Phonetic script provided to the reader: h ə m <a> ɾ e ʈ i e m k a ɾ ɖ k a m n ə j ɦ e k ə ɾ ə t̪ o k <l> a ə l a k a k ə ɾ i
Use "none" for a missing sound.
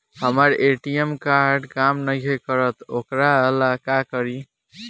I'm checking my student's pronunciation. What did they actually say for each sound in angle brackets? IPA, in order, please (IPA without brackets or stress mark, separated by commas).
ə, ɾ